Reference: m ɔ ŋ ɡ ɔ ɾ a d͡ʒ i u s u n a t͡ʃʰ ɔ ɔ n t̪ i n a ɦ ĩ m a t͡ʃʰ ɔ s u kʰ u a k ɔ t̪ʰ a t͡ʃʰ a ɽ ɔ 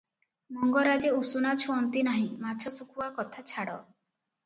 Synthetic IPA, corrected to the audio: m ɔ ŋ ɡ ɔ ɾ a d͡ʒ e u s u n a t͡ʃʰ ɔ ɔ n t̪ i n a ɦ ĩ m a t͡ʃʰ ɔ s u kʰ u a k ɔ t̪ʰ a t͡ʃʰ a ɽ ɔ